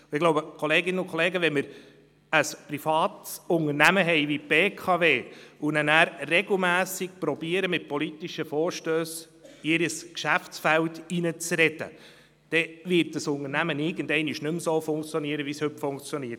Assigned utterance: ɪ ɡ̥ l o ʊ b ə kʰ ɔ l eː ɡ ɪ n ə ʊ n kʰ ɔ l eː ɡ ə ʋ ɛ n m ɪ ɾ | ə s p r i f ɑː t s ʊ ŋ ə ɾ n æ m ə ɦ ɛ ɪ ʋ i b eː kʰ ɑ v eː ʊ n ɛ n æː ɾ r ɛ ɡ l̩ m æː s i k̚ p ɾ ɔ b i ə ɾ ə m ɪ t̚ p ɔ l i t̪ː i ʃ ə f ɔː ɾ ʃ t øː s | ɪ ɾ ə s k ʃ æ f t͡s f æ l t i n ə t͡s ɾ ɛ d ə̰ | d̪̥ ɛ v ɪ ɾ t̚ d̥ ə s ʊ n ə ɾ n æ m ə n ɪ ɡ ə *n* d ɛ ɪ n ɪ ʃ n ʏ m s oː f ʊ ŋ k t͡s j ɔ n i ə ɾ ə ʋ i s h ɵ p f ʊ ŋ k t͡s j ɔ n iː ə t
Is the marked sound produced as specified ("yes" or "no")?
yes